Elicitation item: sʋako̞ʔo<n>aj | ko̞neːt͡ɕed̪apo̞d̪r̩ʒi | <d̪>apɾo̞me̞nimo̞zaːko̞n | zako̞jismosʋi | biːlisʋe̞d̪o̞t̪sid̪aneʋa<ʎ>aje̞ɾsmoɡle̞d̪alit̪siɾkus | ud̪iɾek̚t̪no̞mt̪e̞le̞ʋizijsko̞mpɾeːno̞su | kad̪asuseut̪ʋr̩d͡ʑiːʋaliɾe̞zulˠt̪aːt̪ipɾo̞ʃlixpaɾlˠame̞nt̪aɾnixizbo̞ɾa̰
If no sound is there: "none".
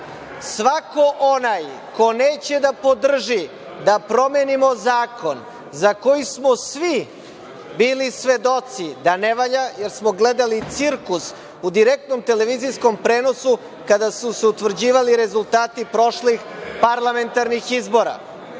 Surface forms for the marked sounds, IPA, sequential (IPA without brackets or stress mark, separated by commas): n, d̪, ʎ